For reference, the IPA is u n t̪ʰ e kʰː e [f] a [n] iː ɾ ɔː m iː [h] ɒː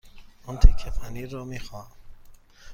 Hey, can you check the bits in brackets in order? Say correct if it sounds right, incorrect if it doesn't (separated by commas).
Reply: correct, correct, incorrect